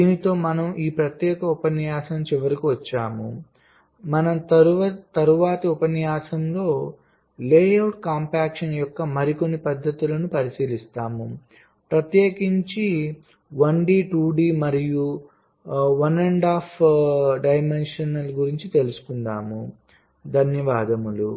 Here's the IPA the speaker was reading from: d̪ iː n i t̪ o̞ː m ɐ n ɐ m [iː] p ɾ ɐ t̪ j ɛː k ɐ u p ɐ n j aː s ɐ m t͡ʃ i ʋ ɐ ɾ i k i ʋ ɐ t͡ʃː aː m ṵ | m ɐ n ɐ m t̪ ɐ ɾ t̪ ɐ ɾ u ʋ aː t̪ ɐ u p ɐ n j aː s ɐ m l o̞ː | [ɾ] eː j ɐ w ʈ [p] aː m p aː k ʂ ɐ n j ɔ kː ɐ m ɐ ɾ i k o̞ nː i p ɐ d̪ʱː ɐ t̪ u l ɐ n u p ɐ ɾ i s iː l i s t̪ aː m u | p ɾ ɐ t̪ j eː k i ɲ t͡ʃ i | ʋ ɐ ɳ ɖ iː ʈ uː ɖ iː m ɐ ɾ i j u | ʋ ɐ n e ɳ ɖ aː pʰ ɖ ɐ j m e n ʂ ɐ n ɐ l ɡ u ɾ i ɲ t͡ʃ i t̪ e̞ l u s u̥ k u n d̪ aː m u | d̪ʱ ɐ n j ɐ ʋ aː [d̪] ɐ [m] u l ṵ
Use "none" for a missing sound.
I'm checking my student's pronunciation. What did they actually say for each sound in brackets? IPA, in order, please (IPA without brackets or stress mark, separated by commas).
iː, l, k, d̪, m